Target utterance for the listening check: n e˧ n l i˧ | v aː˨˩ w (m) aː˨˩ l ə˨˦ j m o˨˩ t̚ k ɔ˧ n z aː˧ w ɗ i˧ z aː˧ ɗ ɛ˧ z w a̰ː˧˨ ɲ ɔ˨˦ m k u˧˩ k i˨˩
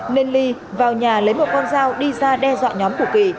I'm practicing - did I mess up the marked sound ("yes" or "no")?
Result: yes